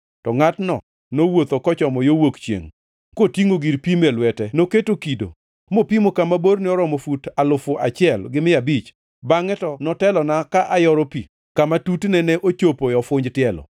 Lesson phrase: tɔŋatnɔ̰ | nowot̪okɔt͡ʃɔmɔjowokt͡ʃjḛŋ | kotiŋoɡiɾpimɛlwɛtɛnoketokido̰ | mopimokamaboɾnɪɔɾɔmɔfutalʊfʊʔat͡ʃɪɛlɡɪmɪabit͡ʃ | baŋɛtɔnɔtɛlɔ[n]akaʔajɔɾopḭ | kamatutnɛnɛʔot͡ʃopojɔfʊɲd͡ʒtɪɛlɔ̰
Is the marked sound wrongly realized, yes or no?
no